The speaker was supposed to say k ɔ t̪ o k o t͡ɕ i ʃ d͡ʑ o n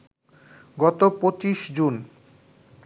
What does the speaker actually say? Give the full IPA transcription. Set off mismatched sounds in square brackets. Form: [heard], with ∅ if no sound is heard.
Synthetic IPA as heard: [ɡ] ɔ t̪ o [p] o t͡ɕ i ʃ d͡ʑ [u] n